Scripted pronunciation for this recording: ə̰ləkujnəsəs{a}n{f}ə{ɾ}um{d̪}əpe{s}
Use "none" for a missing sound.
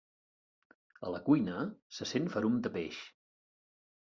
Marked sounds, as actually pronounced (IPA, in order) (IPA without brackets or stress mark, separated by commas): e, f, ɾ, d̪, ʃ